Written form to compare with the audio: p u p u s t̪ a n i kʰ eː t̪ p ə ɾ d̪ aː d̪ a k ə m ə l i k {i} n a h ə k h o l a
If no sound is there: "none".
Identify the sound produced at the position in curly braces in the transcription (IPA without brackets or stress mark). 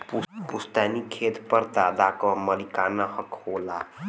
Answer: a